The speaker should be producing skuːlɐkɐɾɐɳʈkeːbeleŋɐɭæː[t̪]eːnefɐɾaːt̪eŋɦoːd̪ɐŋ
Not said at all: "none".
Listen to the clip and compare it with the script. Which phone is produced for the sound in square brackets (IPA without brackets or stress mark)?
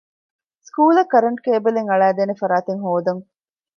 d̪